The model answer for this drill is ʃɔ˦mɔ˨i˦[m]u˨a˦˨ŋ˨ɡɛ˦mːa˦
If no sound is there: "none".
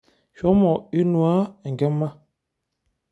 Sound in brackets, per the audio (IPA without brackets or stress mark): n